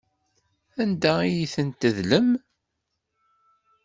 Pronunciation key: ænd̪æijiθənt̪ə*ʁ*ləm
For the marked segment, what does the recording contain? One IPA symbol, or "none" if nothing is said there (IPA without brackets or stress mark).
ð